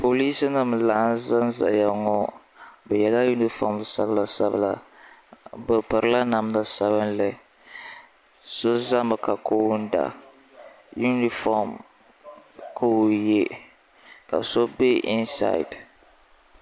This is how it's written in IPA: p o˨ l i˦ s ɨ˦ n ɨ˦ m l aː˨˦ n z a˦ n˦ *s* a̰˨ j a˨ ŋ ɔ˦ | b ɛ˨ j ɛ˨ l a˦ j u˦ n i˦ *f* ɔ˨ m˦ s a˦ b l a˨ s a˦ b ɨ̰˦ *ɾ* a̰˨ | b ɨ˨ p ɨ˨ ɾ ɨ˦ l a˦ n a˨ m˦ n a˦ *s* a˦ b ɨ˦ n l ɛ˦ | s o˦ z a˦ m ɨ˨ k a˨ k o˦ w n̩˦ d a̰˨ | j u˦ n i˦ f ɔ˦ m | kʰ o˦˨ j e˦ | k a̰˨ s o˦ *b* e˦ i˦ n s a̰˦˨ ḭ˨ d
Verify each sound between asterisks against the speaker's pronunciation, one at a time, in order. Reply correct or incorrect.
incorrect, correct, incorrect, correct, correct

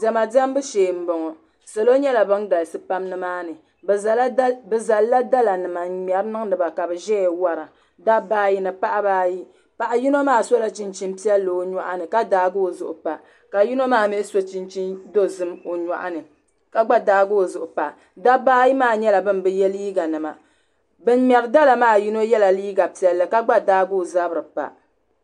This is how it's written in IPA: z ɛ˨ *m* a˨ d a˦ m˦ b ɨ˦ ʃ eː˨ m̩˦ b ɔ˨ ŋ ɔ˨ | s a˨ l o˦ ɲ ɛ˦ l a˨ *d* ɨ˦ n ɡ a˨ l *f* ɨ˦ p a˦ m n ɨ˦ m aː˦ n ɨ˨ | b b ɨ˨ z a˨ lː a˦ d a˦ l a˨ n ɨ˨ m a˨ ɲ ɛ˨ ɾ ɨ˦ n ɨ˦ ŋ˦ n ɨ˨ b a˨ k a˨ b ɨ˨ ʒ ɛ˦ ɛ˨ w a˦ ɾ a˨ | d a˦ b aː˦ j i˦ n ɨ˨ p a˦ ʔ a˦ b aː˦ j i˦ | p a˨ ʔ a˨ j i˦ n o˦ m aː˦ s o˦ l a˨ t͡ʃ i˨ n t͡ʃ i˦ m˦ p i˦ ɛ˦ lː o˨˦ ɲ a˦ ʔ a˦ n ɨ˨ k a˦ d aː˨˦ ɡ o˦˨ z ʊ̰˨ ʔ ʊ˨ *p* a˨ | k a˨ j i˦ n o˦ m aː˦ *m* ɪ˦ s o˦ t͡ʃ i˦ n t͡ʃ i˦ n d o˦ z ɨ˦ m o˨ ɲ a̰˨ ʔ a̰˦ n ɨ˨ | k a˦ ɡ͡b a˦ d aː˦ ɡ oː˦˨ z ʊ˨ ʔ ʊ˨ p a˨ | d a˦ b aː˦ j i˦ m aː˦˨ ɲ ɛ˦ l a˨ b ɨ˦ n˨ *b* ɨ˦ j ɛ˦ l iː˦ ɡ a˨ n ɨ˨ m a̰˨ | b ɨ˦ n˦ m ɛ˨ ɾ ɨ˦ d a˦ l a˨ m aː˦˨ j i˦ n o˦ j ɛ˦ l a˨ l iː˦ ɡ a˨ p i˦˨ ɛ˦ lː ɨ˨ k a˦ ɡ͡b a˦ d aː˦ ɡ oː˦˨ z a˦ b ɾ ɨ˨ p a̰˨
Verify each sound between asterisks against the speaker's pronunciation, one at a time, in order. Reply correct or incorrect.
correct, incorrect, incorrect, correct, correct, correct

